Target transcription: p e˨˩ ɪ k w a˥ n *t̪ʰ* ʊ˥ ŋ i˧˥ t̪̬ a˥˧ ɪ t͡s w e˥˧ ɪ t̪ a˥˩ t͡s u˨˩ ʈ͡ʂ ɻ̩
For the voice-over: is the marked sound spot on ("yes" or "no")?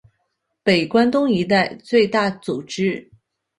no